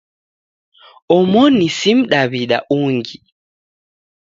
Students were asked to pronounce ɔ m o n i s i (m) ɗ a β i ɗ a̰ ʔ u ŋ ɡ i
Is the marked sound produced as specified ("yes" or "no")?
yes